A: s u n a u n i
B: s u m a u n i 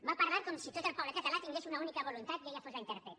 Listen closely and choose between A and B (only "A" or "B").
A